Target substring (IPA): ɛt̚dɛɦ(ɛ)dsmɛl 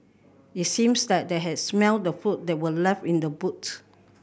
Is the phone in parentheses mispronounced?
no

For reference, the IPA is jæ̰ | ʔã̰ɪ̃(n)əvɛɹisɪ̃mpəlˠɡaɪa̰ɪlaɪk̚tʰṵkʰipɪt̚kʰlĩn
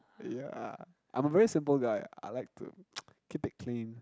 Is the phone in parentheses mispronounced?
yes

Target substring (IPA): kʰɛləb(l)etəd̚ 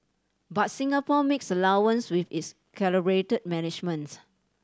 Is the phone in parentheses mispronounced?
yes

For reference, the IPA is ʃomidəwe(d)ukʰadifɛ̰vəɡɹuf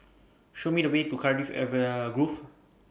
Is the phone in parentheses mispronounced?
yes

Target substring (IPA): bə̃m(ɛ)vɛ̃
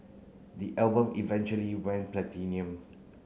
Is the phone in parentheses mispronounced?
yes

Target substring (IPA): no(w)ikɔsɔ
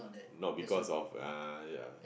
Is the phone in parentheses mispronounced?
yes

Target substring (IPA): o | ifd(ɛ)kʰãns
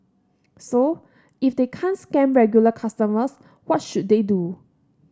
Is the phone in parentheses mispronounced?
yes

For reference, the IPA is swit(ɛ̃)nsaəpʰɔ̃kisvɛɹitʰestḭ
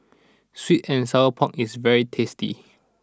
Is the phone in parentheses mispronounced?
no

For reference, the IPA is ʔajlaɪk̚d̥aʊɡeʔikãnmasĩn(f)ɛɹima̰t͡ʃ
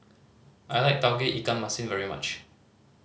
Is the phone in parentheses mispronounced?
yes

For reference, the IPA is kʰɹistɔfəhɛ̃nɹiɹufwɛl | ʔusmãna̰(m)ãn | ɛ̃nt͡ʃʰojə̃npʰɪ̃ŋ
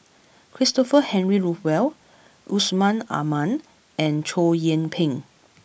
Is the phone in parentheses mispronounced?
no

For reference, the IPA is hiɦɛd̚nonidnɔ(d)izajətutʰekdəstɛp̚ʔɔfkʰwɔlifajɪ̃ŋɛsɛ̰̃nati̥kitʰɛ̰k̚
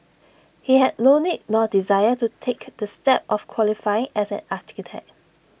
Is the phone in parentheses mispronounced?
no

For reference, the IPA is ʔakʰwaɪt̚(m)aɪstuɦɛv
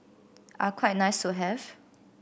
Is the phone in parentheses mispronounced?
yes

